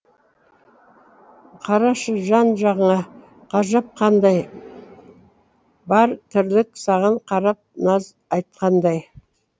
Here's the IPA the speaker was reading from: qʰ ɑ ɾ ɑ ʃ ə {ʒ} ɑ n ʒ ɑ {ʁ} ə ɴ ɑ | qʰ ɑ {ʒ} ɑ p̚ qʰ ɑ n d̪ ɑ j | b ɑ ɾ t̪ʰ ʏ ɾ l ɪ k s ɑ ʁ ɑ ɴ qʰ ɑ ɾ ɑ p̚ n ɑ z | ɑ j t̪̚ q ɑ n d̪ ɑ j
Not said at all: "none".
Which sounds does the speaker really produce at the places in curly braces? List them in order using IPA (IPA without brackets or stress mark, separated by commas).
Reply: ʒ, ʁ, ʒ